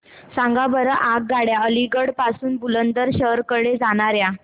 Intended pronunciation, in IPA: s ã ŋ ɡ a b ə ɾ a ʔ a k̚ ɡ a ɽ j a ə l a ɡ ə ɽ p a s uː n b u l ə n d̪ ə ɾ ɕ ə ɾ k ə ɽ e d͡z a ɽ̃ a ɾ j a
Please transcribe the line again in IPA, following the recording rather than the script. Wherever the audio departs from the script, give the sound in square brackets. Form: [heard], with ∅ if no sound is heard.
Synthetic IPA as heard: s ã ŋ ɡ a b ə ɾ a ʔ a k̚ ɡ a ɽ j a ə l [i] ɡ ə ɽ p a s uː n b u l ə n d̪ ə ɾ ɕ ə ɾ k ə ɽ e d͡z a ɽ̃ a ɾ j a